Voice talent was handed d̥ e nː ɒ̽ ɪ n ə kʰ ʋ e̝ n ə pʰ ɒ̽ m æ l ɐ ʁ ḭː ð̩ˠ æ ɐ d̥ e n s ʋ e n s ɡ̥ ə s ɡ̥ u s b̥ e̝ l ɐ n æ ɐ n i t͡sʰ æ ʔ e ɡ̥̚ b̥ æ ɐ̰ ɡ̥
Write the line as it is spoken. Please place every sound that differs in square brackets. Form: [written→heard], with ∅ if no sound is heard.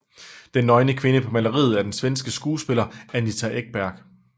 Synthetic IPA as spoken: d̥ e nː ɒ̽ ɪ n ə kʰ ʋ e̝ n ə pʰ ɒ̽ m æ l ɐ ʁ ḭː ð̩ˠ æ ɐ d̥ e n s ʋ e n s ɡ̥ ə s ɡ̥ [u→uː] s b̥ e̝ l ɐ [n→∅] æ ɐ n i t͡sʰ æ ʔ e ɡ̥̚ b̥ æ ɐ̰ ɡ̥